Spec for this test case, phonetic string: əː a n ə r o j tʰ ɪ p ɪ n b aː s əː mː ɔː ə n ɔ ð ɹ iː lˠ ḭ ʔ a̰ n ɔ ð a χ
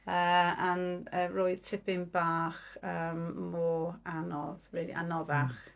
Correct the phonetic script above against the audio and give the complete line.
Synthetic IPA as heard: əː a n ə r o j tʰ ɪ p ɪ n b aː χ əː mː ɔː a n ɔ ð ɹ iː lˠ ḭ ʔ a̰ n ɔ ð a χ